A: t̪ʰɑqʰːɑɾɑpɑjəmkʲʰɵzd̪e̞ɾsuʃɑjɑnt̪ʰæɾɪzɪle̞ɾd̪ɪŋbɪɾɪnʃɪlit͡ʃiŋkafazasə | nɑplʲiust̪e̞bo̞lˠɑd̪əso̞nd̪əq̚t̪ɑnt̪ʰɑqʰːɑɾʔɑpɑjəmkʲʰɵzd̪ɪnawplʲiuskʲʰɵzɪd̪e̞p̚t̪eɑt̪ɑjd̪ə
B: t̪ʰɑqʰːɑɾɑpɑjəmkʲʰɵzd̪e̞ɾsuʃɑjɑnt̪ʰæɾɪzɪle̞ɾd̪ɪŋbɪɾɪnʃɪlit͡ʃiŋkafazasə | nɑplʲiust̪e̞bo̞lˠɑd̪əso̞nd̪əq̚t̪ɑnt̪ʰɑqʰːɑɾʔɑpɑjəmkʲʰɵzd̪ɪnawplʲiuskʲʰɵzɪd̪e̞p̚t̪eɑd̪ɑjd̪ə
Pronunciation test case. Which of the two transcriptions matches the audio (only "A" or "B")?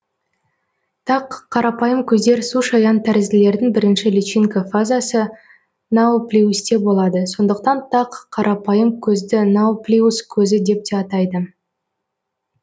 A